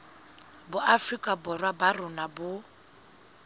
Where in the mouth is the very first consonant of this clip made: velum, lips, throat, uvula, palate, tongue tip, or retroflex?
lips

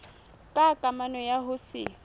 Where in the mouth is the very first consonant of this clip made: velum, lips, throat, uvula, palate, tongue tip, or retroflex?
velum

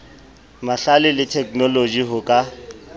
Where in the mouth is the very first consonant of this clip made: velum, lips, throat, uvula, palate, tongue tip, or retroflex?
lips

